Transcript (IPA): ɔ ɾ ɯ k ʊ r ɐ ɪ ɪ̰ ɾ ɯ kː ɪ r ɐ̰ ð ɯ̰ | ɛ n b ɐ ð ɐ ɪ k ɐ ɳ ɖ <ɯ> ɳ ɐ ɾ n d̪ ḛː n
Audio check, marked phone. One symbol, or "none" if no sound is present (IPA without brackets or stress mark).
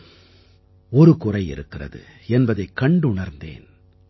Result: ʊ